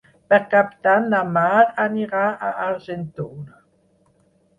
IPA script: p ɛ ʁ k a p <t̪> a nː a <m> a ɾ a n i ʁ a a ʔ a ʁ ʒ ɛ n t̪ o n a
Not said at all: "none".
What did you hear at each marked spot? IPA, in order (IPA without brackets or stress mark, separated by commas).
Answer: t̪, m